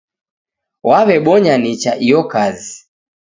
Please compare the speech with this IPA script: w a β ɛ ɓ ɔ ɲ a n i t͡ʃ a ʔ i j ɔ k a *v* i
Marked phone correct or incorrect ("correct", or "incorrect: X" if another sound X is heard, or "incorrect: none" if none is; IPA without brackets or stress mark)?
incorrect: z